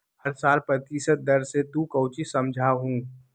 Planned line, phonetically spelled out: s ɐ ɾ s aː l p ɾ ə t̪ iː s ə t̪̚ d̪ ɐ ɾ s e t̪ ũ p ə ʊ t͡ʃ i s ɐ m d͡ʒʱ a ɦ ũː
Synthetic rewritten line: h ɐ ɾ s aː l p ɾ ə t̪ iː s ə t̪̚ d̪ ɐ ɾ s e t̪ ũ k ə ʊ t͡ʃ i s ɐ m d͡ʒʱ a ɦ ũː

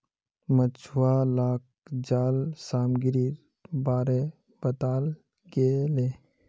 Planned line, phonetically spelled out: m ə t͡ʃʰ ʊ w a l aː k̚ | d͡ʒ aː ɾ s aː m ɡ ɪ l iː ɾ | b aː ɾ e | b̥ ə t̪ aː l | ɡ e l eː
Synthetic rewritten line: m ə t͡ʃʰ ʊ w a l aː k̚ | d͡ʒ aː l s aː m ɡ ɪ ɾ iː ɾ | b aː ɾ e | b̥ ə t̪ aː l | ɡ e l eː

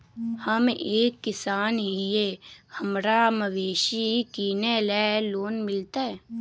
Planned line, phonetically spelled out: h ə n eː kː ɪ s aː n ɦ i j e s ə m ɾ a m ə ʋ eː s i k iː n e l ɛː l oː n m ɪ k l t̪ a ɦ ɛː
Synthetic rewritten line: h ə m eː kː ɪ s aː n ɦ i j e h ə m ɾ a m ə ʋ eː ʃ i k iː n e l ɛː l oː n m ɪ l t̪ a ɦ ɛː

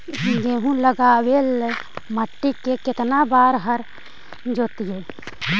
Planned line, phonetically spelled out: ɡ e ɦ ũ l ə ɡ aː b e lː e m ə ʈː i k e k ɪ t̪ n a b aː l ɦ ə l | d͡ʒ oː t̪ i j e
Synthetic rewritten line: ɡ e ɦ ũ l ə ɡ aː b e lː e m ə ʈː i k e k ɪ t̪ n a b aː ɾ ɦ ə ɾ | d͡ʒ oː t̪ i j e

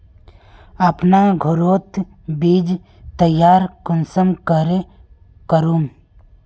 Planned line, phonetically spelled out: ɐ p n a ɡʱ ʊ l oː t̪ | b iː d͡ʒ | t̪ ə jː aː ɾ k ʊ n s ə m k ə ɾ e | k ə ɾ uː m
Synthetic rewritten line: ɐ p n a ɡʱ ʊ ɾ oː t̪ | b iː d͡ʒ | t̪ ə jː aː ɾ k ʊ n s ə m k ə ɾ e | k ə ɾ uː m

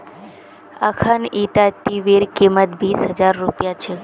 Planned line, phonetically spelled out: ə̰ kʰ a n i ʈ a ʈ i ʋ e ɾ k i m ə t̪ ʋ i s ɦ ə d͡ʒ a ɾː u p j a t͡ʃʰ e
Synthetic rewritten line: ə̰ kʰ a n i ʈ a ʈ i ʋ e ɾ k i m ə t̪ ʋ i s ɦ ə d͡ʒ a ɾː u p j a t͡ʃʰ e

